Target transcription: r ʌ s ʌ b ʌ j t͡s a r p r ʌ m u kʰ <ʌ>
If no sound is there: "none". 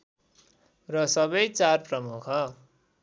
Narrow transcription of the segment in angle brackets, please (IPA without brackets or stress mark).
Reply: ʌ